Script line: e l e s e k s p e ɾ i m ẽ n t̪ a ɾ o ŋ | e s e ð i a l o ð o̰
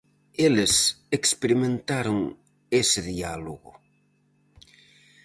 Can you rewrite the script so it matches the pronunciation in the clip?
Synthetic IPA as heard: e l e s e k s p e ɾ i m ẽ n t̪ a ɾ o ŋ | e s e ð i a l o ɣ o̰